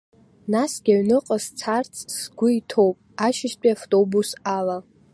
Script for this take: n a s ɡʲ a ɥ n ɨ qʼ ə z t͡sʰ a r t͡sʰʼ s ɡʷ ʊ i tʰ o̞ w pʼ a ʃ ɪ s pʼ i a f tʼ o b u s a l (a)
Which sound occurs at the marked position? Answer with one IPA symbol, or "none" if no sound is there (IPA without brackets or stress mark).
a